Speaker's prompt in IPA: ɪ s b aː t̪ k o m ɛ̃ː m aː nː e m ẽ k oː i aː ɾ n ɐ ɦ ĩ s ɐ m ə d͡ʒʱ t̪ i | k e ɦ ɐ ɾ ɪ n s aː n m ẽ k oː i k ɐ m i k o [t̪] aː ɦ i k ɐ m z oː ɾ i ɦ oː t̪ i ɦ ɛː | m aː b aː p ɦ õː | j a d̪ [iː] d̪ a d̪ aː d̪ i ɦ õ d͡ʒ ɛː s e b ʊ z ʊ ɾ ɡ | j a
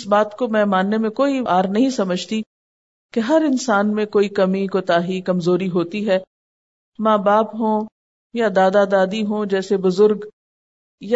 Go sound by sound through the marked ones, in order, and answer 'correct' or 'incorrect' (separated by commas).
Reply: correct, incorrect